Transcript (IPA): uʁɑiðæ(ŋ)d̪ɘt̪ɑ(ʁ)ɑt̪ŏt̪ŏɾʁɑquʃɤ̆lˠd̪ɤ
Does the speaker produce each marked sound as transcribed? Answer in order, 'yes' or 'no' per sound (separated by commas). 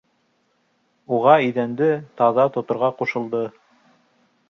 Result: no, no